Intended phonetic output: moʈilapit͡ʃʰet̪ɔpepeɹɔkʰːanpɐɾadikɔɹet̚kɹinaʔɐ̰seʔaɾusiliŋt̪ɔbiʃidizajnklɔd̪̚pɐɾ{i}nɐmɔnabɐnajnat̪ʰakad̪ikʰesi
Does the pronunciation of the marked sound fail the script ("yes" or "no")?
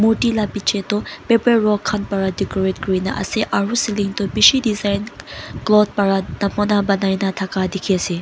yes